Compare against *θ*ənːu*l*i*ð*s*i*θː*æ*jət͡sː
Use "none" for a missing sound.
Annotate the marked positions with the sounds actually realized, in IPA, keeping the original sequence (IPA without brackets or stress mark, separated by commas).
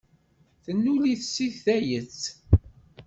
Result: θ, l, θ, i, æ